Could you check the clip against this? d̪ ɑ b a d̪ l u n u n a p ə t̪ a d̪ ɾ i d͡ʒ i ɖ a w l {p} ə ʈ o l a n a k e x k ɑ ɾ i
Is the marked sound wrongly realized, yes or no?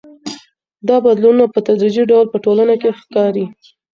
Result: no